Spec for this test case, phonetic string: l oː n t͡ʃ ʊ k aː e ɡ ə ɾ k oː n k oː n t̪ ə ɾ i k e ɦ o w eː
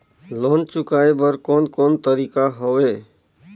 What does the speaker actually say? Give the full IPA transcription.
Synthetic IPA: l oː n t͡ʃ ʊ k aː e b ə ɾ k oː n k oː n t̪ ə ɾ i k a ɦ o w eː